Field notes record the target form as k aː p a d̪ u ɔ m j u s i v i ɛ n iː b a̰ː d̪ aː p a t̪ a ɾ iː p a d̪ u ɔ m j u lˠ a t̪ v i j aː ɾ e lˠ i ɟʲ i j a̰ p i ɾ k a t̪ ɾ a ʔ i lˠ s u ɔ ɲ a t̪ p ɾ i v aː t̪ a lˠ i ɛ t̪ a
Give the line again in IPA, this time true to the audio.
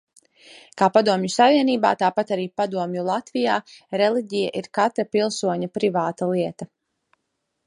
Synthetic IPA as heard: k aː p a d̪ u ɔ m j u s a v i ɛ n iː b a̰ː t̪ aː p a t̪ a ɾ iː p a d̪ u ɔ m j u lˠ a t̪ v i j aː ɾ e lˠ i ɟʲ i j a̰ ʔ i ɾ k a t̪ ɾ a p i lˠ s u ɔ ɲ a p ɾ i v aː t̪ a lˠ i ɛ t̪ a